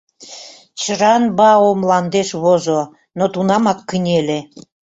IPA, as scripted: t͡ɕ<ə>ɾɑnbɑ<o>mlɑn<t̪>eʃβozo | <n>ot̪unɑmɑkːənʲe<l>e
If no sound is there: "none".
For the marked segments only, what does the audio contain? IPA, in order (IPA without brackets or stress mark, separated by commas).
ə, o, d̪, n, l